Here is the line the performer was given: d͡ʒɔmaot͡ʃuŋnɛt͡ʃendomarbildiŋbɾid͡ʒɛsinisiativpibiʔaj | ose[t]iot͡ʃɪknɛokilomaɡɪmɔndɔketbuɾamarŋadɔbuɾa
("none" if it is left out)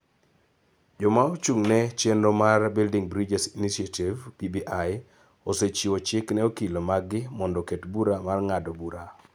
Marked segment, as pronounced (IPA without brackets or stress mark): t͡ʃ